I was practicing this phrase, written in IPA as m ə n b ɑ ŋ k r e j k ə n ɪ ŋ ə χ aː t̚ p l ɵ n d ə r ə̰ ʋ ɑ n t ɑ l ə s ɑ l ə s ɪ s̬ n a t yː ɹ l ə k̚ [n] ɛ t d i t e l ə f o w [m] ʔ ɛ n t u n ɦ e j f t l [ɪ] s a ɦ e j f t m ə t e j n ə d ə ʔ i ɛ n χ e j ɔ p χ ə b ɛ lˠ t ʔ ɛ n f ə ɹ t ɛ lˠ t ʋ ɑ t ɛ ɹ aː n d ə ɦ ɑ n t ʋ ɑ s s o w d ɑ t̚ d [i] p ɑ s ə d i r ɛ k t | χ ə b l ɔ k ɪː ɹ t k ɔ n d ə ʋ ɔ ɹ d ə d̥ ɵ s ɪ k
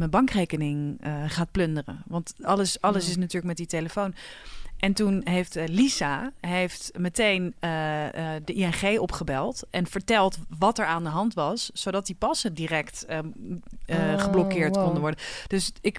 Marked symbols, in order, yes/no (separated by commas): no, no, no, yes